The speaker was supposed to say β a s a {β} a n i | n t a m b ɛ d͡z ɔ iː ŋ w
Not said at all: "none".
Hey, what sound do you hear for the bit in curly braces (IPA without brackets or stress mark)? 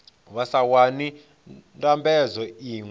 w